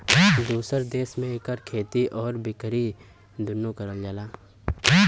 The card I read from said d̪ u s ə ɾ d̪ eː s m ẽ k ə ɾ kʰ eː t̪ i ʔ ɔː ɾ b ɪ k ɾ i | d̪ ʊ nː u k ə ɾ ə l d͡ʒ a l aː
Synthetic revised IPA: d̪ uː s ə ɾ d̪ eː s m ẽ k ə ɾ kʰ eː t̪ i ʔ ɔː ɾ b ɪ k ɾ i | d̪ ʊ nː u k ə ɾ ə l d͡ʒ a l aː

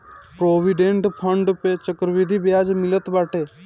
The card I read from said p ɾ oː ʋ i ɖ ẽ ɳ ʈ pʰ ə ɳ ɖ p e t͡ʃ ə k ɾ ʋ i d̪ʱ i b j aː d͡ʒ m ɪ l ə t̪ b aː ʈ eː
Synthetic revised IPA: p ɾ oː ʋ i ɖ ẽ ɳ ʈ pʰ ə ɳ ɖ p e t͡ʃ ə k ɾ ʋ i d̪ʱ i b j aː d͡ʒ m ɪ l ə t̪ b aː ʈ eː

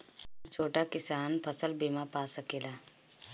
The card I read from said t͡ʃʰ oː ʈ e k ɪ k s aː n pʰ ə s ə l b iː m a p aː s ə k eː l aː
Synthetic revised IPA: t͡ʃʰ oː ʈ a k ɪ s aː n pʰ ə s ə l b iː m a p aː s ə k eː l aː

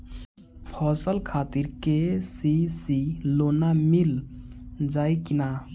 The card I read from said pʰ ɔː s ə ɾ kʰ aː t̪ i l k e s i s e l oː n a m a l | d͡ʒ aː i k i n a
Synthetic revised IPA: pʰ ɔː s ə l kʰ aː t̪ i ɾ k e s i s i l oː n a m i l | d͡ʒ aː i k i n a

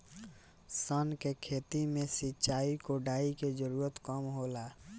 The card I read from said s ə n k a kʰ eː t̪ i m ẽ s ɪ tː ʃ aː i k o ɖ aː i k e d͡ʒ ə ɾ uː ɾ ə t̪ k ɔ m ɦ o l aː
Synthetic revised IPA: s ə n k e kʰ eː t̪ i m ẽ s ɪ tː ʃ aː i k o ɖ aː i k e d͡ʒ ə ɾ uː ɾ ə t̪ k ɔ m ɦ o l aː

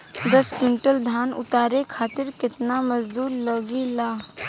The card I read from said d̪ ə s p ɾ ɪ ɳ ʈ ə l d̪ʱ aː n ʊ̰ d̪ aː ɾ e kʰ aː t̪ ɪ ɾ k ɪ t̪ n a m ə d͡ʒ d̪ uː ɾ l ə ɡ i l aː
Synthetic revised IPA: d̪ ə s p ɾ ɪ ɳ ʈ ə l d̪ʱ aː n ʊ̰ t̪ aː ɾ e kʰ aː t̪ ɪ ɾ k ɪ t̪ n a m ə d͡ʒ d̪ uː ɾ l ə ɡ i l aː

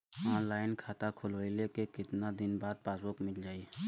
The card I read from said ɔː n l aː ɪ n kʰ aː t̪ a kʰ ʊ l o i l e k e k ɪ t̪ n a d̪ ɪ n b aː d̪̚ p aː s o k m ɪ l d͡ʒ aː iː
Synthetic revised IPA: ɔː n l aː ɪ n kʰ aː t̪ a kʰ ʊ l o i l e k e k ɪ t̪ n a d̪ ɪ n b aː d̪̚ p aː s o k m ɪ l d͡ʒ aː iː

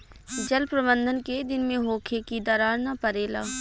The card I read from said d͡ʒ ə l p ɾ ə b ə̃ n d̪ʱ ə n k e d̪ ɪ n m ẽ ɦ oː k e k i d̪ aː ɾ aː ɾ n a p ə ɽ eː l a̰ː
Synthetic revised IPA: d͡ʒ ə l p ɾ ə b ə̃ n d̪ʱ ə n k e d̪ ɪ n m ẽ ɦ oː kʰ e k i d̪ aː ɾ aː ɾ n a p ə ɾ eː l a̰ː

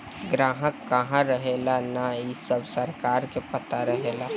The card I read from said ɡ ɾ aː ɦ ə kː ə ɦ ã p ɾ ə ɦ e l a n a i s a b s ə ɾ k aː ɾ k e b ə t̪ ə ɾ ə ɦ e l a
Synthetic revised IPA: ɡ ɾ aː ɦ ə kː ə ɦ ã ɾ ə ɦ e l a n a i s ə b s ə ɾ k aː ɾ k e p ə t̪ a ɾ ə ɦ e l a

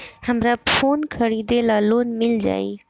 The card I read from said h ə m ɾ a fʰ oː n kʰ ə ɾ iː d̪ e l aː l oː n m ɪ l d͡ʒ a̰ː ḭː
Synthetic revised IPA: h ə m ɾ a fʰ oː n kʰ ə ɾ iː d̪ e l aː l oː n m ɪ l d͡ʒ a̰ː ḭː

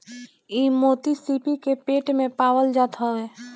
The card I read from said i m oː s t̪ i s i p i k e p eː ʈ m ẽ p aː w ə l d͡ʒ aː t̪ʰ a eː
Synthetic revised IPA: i m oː t̪ i s i p i k e p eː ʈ m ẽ p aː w ə l d͡ʒ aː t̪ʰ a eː

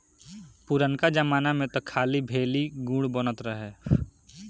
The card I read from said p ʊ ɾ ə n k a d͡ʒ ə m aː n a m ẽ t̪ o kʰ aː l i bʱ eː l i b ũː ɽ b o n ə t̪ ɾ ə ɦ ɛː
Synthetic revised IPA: p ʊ ɾ ə n k a d͡ʒ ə m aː n a m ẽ t̪ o kʰ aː l i bʱ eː l i ɡ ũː ɽ b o n ə t̪ ɾ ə ɦ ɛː

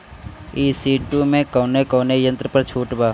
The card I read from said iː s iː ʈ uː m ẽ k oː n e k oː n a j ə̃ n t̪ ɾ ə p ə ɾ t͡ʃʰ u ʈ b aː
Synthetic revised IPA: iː s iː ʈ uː m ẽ k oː n e k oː n e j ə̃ n t̪ ɾ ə p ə ɾ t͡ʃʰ uː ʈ b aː

